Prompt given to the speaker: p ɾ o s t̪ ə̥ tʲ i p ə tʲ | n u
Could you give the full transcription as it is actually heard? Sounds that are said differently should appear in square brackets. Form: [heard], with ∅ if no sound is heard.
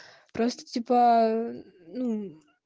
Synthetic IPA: p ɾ o s t̪ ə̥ tʲ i p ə [∅] | n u